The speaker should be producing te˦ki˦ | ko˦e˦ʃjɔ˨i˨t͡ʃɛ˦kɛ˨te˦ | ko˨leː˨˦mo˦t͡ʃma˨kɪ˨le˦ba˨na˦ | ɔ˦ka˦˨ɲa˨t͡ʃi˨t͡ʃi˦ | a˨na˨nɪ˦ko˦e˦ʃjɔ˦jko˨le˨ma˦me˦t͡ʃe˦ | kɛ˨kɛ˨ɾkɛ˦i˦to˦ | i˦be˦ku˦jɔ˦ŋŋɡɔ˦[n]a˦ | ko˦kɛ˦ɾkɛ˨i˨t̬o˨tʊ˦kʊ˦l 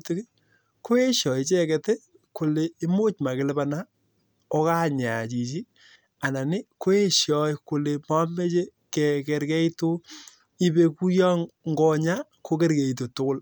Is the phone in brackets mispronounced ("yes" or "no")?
yes